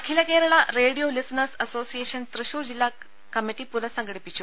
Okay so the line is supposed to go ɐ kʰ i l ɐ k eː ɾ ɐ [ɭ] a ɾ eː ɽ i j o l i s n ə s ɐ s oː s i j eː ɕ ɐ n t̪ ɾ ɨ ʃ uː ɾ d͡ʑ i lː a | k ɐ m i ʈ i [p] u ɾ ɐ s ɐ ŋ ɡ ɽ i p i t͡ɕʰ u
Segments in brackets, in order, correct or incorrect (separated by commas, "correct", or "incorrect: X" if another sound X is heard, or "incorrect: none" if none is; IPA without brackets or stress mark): correct, correct